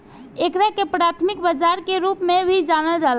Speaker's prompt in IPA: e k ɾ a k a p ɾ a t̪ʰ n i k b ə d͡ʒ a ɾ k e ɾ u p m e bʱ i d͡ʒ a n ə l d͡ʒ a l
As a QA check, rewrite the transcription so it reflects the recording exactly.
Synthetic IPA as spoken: e k ɾ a k e p ɾ a t̪ʰ m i k b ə d͡ʒ a ɾ k e ɾ u p m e bʱ i d͡ʒ a n ə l d͡ʒ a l